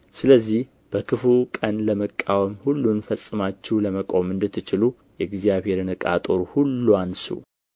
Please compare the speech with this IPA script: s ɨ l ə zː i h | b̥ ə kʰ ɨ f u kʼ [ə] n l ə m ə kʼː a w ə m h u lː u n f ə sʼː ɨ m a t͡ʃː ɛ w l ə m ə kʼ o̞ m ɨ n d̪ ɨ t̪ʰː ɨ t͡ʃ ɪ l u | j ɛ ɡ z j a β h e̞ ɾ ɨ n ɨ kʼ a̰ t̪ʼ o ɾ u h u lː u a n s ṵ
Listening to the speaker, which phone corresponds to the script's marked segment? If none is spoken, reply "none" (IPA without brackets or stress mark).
ə